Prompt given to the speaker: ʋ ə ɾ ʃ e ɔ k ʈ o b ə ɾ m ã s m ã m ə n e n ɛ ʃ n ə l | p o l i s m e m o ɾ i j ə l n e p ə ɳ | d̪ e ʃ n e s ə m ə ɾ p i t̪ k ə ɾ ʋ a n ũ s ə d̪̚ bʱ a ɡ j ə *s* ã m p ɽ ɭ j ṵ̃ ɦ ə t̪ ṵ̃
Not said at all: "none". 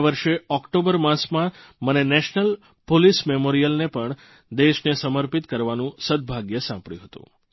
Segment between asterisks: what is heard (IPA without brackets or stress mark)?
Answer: s